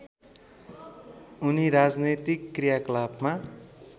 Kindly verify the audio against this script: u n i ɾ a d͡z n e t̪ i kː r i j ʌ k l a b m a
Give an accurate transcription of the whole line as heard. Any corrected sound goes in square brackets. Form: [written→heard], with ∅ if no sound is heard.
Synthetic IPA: u n i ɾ a d͡z n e t̪ i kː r i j [ʌ→a] k l a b m a